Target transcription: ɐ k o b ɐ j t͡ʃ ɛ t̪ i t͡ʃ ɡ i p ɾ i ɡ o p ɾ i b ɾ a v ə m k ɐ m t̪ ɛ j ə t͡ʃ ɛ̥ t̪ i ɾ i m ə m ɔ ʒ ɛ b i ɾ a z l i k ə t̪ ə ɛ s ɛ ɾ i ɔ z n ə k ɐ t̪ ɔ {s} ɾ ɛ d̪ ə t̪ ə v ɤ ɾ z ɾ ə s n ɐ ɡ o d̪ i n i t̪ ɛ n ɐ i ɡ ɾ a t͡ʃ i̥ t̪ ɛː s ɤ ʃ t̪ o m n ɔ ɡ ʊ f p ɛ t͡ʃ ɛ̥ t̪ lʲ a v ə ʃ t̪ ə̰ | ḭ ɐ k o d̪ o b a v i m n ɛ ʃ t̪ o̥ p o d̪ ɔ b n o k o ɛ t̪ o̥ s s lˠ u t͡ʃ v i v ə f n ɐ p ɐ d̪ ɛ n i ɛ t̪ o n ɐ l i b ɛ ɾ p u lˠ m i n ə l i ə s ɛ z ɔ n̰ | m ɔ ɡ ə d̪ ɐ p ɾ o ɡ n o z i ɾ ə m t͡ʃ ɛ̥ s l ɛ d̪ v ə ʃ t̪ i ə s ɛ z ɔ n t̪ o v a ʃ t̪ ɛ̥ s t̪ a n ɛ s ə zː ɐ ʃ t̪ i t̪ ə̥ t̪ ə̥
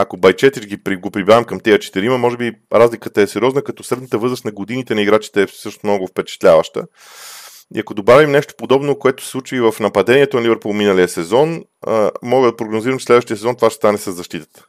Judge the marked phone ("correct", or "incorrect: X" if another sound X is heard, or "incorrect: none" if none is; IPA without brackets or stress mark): correct